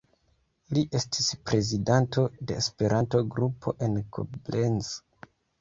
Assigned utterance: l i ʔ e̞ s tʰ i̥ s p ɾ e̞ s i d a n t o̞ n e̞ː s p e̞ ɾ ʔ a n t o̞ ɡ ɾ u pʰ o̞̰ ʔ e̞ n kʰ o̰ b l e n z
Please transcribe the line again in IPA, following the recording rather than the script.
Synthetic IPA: l i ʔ e̞ s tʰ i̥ s p ɾ e̞ z i d a n t o̞ d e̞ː s p e̞ ɾ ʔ a n t o̞ ɡ ɾ u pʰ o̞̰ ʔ e̞ n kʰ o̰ b l e n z